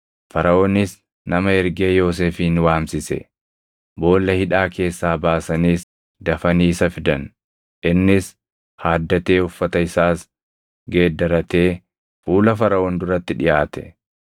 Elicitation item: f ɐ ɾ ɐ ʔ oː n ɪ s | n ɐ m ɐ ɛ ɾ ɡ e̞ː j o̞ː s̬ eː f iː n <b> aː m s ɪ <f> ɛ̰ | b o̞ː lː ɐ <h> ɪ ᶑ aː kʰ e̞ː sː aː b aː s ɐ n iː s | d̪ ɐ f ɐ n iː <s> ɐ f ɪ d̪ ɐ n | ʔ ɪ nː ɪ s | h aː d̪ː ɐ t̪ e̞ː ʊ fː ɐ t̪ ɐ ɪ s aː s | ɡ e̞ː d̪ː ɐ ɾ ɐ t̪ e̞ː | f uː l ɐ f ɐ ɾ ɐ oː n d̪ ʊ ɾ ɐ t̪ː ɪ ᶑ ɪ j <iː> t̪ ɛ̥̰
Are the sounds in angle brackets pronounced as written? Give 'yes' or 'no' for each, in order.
no, no, yes, yes, no

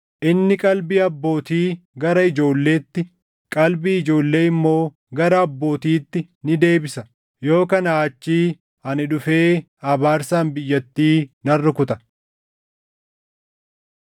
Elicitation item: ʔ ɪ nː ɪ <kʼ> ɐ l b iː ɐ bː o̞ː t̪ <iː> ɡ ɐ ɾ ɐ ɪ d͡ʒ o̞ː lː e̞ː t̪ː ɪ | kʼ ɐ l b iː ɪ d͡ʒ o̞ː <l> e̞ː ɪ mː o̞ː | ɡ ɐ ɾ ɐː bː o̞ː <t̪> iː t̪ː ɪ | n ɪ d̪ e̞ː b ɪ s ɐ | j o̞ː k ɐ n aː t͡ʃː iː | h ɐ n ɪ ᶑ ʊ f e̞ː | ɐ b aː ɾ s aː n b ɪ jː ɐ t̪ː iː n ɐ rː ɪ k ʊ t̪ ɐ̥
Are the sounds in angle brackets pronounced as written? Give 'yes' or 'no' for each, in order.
yes, yes, no, yes

